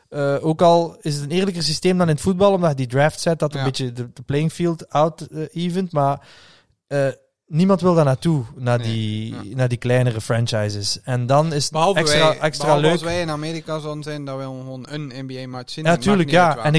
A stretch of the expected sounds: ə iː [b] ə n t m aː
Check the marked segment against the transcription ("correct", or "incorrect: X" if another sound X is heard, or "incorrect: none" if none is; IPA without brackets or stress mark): incorrect: v